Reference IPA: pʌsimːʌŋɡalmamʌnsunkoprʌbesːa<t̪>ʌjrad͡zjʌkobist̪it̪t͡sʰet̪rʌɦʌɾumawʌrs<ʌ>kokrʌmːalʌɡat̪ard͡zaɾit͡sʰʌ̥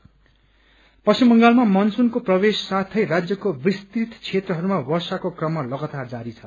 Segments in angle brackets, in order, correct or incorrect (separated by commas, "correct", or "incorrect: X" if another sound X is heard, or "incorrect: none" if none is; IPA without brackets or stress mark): incorrect: t̪ʰ, incorrect: a